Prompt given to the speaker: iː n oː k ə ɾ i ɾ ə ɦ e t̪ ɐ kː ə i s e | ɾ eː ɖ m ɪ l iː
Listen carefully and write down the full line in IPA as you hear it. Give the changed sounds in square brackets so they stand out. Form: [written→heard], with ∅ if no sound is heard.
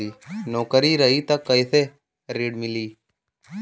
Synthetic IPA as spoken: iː n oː k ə ɾ i ɾ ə ɦ [e→i] t̪ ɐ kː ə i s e | ɾ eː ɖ m ɪ l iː